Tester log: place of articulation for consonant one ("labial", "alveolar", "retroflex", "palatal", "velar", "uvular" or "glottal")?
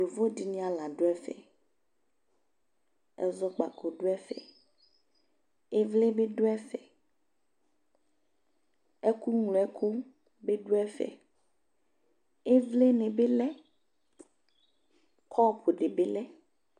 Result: labial